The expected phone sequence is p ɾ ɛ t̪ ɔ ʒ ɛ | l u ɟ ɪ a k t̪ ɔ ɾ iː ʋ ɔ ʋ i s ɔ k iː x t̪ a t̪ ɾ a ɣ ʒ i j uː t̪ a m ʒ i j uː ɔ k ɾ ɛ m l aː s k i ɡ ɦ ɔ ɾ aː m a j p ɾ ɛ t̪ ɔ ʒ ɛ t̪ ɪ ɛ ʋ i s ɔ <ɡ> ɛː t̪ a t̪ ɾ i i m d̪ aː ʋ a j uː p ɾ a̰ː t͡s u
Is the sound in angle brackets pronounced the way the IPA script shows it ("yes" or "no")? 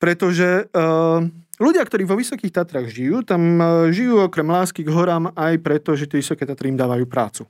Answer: no